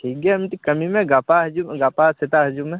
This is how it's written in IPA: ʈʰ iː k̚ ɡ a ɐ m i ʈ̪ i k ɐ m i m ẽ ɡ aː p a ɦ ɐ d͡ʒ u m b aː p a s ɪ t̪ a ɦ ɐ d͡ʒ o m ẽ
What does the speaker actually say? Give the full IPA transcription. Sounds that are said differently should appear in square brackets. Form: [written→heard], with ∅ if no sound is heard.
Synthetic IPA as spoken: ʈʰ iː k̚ ɡ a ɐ m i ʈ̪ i k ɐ m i m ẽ ɡ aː p a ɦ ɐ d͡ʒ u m [b→ɡ] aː p a s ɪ t̪ a ɦ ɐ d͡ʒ [o→u] m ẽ